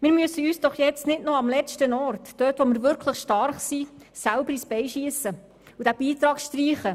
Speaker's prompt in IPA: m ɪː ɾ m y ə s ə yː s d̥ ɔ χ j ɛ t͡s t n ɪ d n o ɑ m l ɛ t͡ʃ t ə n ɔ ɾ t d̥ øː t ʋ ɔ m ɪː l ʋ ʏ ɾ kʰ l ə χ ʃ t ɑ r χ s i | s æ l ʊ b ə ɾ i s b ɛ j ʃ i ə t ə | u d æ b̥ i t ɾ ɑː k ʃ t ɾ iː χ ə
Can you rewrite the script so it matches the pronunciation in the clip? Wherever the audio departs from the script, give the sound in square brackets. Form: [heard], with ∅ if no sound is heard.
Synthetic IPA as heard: m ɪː ɾ m y ə s ə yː s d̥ ɔ χ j ɛ t͡s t n ɪ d n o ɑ m l ɛ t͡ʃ t ə n ɔ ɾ t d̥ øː t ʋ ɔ m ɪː [ɾ] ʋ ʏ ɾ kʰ l ə χ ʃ t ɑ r χ s i | s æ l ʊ b ə ɾ i s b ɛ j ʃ i ə [s] ə | u d æ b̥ [iː] t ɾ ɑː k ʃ t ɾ iː χ ə